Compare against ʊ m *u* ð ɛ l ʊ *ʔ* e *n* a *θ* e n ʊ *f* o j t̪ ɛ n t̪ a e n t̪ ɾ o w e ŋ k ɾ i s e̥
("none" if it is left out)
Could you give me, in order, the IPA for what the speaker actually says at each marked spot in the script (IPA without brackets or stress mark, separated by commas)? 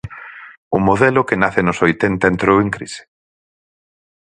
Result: o, k, n, θ, s